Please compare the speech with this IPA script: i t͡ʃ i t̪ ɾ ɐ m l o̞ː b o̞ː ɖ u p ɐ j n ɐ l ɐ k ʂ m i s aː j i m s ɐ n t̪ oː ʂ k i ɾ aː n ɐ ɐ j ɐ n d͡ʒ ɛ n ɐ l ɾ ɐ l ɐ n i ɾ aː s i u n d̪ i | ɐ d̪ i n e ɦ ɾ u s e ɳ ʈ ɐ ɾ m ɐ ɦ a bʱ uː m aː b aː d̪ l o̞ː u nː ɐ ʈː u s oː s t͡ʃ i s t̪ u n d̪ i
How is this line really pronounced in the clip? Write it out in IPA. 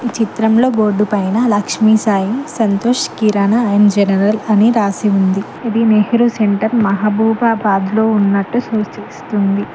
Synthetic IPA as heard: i t͡ʃ i t̪ ɾ ɐ m l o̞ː b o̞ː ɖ u p ɐ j n ɐ l ɐ k ʂ m i s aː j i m s ɐ n t̪ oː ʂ k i ɾ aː n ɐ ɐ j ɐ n d͡ʒ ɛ n ɐ ɾ ɐ l ɐ n i ɾ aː s i u n d̪ i | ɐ d̪ i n e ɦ ɾ u s e ɳ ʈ ɐ ɾ m ɐ ɦ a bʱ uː b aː b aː d̪ l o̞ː u nː ɐ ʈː u s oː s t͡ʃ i s t̪ u n d̪ i